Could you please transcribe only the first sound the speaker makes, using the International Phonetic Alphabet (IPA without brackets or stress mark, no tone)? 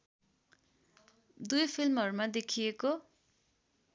d̪